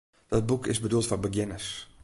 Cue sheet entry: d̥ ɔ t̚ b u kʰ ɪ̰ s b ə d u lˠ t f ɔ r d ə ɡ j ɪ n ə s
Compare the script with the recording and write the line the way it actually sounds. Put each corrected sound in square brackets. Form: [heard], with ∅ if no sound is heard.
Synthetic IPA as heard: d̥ ɔ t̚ b u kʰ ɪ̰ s b ə d u lˠ t f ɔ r [b] ə ɡ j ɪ n ə s